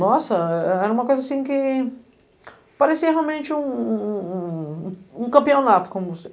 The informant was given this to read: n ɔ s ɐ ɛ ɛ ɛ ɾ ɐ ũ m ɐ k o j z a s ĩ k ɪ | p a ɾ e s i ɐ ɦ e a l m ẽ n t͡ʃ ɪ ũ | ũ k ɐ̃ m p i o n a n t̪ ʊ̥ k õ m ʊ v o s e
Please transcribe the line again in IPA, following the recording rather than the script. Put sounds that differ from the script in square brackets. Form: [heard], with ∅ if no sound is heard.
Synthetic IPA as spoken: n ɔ s ɐ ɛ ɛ ɛ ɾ ɐ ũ m ɐ k o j z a s ĩ k ɪ | p a ɾ e s i ɐ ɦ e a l m ẽ n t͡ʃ ɪ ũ | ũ k ɐ̃ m p i o n a [∅] t̪ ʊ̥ k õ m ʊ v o s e